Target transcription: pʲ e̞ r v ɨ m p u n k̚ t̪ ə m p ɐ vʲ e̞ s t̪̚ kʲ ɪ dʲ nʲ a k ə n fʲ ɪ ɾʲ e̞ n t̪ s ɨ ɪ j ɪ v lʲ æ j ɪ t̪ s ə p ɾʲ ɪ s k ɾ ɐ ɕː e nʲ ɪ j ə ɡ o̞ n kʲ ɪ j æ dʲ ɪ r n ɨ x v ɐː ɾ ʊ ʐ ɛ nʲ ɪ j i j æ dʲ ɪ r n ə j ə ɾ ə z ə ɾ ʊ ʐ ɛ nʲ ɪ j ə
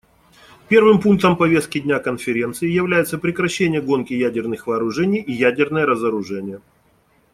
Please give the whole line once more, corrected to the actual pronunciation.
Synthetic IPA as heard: pʲ e̞ r v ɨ m p u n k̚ t̪ ə m p ɐ vʲ e̞ s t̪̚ kʲ ɪ dʲ nʲ a k ə n fʲ ɪ ɾʲ e̞ n t̪ s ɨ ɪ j ɪ v lʲ æ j ɪ t̪ s ə p ɾʲ ɪ k ɾ ɐ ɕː e nʲ ɪ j ə ɡ o̞ n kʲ ɪ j æ dʲ ɪ r n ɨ x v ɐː ɾ ʊ ʐ ɛ nʲ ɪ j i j æ dʲ ɪ r n ə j ə ɾ ə z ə ɾ ʊ ʐ ɛ nʲ ɪ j ə